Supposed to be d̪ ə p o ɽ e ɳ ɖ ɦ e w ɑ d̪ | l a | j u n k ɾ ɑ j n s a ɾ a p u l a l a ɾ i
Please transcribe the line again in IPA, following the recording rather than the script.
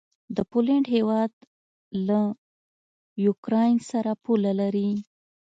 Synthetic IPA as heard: d̪ ə p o l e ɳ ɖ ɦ e w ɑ d̪ | l a | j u k ɾ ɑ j n s a ɾ a p u l a l a ɾ i